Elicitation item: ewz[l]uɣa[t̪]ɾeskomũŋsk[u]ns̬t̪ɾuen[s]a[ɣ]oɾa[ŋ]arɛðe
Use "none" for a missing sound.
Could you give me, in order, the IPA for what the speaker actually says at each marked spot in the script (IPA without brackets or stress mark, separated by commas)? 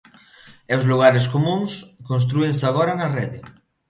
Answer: l, none, o, s, ɣ, n